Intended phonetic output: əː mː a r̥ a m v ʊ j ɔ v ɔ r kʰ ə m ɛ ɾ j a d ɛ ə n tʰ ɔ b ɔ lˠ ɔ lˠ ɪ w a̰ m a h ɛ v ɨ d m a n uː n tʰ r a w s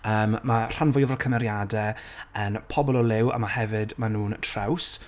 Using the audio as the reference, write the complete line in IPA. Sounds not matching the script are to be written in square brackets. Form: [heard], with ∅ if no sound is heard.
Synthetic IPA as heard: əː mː a r̥ a [n] v ʊ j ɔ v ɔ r kʰ ə m ɛ ɾ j a d ɛ ə n [pʰ] ɔ b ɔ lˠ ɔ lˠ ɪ w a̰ m a h ɛ v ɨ d m a n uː n tʰ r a w s